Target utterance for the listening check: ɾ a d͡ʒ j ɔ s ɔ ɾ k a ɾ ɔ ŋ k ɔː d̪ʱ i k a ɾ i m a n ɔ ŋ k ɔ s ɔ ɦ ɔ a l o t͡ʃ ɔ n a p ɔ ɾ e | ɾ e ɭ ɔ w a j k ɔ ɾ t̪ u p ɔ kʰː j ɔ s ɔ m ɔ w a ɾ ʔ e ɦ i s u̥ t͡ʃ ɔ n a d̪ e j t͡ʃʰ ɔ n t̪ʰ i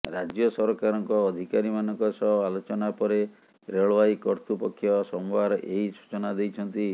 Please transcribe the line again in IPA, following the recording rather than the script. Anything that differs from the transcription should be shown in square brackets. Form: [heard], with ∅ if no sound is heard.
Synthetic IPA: ɾ a d͡ʒ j ɔ s ɔ ɾ k a ɾ ɔ ŋ k ɔː d̪ʱ i k a ɾ i m a n ɔ ŋ k ɔ s ɔ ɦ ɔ a l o t͡ʃ ɔ n a p ɔ ɾ e | ɾ e ɭ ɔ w a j k ɔ ɾ t̪ u p ɔ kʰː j ɔ s ɔ m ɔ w a ɾ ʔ e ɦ i s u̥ t͡ʃ ɔ n a d̪ e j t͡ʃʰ ɔ n [t̪] i

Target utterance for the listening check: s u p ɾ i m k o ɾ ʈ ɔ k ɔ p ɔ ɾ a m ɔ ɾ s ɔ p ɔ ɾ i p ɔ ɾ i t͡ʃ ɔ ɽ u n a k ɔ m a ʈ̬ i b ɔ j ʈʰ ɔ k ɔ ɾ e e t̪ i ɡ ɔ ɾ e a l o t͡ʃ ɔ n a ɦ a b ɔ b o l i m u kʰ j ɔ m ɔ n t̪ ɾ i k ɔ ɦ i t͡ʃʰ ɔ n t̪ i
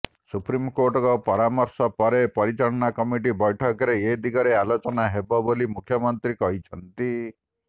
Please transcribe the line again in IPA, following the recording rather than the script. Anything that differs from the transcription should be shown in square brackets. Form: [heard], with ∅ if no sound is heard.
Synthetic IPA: s u p ɾ i m k o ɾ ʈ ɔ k ɔ p ɔ ɾ a m ɔ ɾ s ɔ p ɔ ɾ [e] p ɔ ɾ i t͡ʃ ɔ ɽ [ɔ] n a k ɔ m [i] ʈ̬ i b ɔ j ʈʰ ɔ k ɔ ɾ e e [d̪] i ɡ ɔ ɾ e a l o t͡ʃ ɔ n a ɦ [e] b ɔ b o l i m u kʰ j ɔ m ɔ n t̪ ɾ i k ɔ ɦ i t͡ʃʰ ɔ n t̪ i

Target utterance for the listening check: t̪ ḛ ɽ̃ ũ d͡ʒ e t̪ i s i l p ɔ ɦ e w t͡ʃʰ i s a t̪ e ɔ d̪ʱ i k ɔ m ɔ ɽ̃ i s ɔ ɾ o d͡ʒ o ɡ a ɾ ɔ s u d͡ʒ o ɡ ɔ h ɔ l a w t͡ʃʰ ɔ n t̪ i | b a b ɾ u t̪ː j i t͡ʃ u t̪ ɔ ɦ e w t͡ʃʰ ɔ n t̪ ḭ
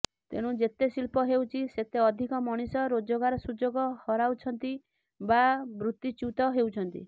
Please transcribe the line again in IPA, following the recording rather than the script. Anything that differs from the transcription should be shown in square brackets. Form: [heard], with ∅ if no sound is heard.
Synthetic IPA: t̪ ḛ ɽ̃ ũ d͡ʒ e t̪ [e] s i l p ɔ ɦ e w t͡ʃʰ i s [e] t̪ e ɔ d̪ʱ i k ɔ m ɔ ɽ̃ i s ɔ ɾ o d͡ʒ o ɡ a ɾ ɔ s u d͡ʒ o ɡ ɔ h ɔ [ɾ] a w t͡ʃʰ ɔ n t̪ i | b a b ɾ u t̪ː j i t͡ʃ u t̪ ɔ ɦ e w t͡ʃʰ ɔ n t̪ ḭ

